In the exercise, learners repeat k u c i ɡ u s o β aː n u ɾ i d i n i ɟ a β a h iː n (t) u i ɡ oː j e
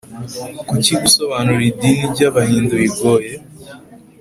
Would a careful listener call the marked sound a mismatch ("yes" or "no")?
yes